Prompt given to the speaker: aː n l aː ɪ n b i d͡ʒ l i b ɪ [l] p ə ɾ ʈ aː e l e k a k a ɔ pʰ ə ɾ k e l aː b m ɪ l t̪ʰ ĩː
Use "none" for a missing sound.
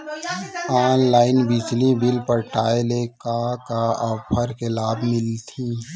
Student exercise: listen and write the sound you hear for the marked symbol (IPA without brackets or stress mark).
l